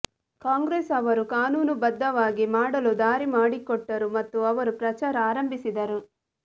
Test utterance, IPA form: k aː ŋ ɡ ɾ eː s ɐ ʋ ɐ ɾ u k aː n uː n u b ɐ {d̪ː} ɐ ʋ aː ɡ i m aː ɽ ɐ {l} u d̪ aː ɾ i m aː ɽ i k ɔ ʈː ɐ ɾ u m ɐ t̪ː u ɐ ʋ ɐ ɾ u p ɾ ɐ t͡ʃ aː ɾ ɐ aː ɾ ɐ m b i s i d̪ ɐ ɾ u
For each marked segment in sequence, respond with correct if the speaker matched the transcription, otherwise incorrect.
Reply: correct, correct

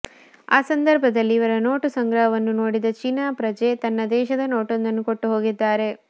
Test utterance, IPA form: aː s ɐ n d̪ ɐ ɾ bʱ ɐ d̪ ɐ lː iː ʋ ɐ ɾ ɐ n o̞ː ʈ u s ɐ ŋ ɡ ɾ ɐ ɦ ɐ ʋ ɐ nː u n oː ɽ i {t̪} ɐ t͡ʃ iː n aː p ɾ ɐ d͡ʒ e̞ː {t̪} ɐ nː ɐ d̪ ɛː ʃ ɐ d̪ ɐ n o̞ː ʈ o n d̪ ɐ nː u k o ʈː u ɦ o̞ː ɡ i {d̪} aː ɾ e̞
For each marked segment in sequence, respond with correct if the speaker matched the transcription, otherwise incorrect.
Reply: incorrect, correct, incorrect

